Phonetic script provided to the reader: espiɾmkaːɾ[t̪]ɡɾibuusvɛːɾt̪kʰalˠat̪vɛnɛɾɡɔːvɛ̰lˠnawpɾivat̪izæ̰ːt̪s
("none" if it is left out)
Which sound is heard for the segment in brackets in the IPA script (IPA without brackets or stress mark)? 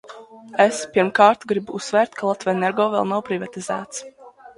t̪